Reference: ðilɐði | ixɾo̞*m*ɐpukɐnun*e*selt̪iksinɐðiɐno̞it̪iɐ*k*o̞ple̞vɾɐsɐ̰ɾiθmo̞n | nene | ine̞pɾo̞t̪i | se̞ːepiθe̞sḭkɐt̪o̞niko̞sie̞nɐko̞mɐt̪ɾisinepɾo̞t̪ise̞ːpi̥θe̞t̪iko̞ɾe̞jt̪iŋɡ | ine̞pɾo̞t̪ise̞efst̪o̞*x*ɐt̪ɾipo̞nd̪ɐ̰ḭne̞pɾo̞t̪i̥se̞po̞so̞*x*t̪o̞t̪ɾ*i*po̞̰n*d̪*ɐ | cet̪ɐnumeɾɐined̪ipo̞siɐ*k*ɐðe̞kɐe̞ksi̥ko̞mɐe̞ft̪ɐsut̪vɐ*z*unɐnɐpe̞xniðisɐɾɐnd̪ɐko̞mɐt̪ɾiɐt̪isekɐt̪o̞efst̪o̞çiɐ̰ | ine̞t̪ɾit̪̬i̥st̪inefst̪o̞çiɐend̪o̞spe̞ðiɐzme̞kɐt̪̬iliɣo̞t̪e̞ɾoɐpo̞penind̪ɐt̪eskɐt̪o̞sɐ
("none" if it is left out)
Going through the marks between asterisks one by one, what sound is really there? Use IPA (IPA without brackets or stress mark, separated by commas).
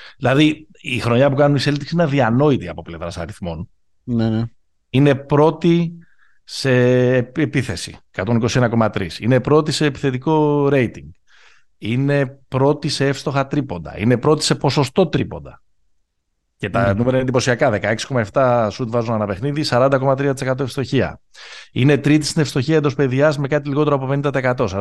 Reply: ɲ, i, p, x, s, i, d̪, k, z